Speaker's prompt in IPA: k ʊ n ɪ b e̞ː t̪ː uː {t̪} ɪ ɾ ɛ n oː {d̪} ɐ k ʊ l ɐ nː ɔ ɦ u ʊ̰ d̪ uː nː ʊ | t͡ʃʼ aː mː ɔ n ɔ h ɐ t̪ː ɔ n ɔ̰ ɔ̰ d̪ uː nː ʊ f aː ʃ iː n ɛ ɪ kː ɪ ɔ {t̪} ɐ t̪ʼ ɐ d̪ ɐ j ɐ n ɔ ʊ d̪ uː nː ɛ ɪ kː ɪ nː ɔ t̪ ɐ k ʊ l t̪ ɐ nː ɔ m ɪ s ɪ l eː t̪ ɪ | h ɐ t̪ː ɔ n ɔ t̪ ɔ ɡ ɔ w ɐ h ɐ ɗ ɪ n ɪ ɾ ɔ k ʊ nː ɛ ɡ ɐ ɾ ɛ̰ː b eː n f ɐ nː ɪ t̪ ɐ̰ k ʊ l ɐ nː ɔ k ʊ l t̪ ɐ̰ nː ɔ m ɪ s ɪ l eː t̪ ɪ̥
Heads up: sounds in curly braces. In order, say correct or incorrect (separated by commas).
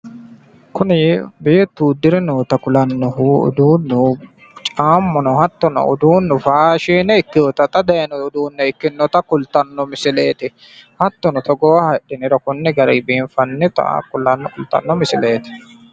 incorrect, incorrect, correct